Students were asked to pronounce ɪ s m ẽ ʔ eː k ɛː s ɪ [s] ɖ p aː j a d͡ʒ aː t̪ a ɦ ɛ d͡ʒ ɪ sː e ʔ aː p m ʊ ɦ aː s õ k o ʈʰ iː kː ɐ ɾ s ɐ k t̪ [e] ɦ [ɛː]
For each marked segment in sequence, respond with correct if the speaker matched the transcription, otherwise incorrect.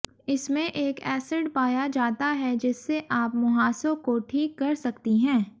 incorrect: none, incorrect: i, incorrect: ɛ̃ː

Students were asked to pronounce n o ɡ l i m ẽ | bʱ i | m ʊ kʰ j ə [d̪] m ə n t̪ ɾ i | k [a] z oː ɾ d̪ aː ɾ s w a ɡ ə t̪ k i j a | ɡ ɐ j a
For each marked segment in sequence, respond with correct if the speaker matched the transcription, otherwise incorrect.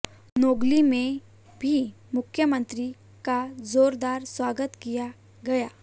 incorrect: none, correct

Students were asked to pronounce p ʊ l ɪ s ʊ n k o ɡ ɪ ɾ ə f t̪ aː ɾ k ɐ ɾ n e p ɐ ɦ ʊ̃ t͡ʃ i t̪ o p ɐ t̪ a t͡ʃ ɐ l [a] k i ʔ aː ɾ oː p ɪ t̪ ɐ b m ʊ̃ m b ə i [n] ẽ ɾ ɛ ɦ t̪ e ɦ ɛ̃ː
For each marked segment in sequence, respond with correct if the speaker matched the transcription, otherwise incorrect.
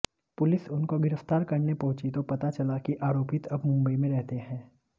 correct, incorrect: m

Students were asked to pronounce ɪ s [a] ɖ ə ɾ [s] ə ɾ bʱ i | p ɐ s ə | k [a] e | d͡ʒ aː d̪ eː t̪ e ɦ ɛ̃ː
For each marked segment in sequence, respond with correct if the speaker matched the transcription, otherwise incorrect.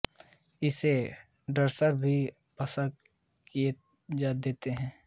incorrect: e, correct, incorrect: i

